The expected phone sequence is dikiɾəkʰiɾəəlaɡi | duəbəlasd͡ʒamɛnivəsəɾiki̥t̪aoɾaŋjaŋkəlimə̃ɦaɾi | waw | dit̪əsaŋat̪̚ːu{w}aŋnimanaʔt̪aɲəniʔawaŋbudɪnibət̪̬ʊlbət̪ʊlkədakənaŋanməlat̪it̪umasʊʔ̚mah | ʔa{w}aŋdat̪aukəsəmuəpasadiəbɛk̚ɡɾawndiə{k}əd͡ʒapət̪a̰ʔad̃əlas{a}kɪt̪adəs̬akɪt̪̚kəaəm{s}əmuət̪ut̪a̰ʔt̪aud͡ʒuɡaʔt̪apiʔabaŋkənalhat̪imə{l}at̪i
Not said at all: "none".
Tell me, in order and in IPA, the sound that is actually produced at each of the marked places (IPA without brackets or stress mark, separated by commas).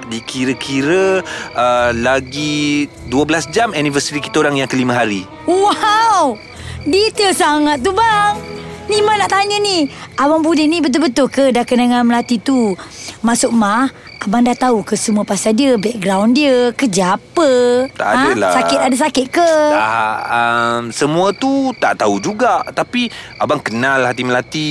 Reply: b, b, k, a, s, l